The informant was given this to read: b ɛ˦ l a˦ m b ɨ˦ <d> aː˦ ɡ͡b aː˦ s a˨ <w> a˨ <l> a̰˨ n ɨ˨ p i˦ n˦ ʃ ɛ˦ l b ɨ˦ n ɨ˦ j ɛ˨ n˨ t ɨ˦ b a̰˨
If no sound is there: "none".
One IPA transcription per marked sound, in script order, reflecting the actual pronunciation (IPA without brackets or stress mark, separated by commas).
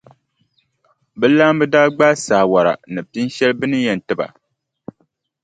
d, w, ɾ